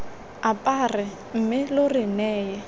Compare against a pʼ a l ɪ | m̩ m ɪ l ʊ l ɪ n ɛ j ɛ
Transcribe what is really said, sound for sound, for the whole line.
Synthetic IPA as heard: a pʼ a r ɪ | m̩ m ɪ l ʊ r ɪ n ɛː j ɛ